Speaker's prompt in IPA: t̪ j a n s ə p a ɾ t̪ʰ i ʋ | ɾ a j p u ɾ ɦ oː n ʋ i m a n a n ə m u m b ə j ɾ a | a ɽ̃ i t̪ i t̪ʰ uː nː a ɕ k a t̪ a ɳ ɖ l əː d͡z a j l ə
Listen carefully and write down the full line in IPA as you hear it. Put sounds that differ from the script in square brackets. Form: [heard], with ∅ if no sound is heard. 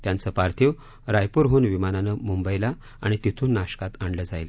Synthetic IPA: t̪ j a n [t͡s] ə p a ɾ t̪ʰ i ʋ | ɾ a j p u ɾ ɦ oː n ʋ i m a n a n ə m u m b ə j [l] a | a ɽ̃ i t̪ i t̪ʰ uː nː a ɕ k a t̪ a ɳ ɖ l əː d͡z a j l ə